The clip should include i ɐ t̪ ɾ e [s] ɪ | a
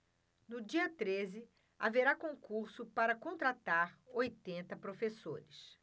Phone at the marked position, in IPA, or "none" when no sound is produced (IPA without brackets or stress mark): z